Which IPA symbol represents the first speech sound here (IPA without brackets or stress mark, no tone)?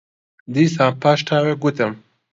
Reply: d̪